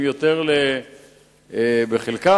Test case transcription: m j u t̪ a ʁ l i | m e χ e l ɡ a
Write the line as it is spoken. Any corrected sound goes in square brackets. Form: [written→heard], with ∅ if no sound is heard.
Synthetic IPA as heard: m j [u→o] t̪ [a→e] ʁ l [i→e] | [m→b] e χ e l [ɡ→k] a